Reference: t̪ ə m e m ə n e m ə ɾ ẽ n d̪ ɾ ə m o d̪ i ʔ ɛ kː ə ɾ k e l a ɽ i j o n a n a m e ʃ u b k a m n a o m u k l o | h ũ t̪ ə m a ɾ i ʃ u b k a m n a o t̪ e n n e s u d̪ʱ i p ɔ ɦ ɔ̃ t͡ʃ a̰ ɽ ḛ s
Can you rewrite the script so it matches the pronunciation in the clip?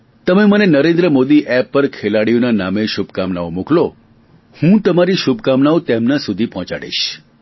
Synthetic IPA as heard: t̪ ə m e m ə n e n ə ɾ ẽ n d̪ ɾ ə m o d̪ i ʔ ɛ pː ə ɾ kʰ e l a ɽ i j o n a n a m e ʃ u b k a m n a o m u k l o | h ũ t̪ ə m a ɾ i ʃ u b k a m n a o t̪ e m n a s u d̪ʱ i p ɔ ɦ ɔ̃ t͡ʃ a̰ ɽ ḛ ʃ